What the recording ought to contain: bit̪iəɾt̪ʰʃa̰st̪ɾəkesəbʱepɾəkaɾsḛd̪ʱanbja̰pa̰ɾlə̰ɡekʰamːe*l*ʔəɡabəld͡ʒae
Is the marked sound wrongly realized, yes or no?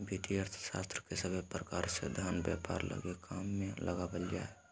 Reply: no